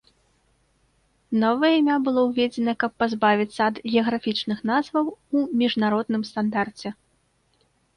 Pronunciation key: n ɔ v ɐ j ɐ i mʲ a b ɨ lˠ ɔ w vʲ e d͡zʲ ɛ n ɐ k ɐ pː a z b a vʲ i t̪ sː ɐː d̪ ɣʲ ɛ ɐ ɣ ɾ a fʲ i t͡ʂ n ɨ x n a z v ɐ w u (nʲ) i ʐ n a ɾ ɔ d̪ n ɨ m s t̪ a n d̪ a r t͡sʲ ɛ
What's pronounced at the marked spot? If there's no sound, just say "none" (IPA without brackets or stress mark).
mʲ